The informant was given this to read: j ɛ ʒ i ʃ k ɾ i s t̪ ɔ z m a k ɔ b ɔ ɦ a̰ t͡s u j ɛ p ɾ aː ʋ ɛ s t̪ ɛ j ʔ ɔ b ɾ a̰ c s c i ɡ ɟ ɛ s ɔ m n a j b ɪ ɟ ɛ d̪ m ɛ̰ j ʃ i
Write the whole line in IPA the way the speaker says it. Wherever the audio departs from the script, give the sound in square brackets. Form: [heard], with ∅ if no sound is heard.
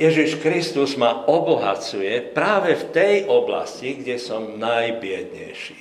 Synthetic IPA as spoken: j ɛ ʒ i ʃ k ɾ i s t̪ [u] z m a [∅] ɔ b ɔ ɦ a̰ t͡s u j ɛ p ɾ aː ʋ ɛ [f] t̪ ɛ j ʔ ɔ b [l] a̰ [∅] s c i ɡ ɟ ɛ s ɔ m n a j b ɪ [∅] ɛ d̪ [ɲ] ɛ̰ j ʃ i